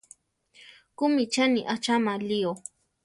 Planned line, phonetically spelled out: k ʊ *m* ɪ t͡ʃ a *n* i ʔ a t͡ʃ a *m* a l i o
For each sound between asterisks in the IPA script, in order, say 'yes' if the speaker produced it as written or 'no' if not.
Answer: yes, yes, yes

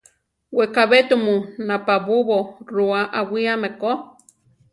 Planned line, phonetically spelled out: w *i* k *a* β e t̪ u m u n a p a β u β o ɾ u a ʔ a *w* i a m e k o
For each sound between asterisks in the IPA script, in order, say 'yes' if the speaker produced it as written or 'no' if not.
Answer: no, yes, yes

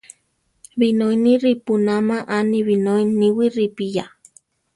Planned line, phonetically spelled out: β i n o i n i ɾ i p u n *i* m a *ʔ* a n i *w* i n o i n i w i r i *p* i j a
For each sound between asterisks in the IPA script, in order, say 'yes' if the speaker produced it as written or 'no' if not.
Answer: no, yes, no, yes

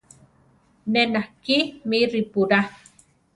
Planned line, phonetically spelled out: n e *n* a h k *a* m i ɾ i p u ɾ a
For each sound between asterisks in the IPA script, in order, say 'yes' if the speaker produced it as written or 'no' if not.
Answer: yes, no

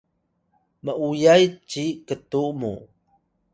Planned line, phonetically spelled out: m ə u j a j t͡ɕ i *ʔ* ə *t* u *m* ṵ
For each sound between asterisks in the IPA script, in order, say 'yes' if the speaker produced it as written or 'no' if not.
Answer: no, yes, yes

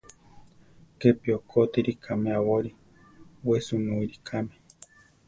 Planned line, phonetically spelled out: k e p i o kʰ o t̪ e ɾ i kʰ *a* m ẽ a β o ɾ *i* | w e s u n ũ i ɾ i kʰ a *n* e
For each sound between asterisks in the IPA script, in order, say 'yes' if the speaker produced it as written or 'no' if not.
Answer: yes, yes, no

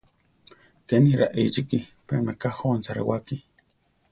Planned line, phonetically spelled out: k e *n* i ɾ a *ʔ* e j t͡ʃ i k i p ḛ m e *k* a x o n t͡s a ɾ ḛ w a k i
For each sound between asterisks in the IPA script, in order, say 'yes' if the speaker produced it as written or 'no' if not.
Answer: yes, yes, yes

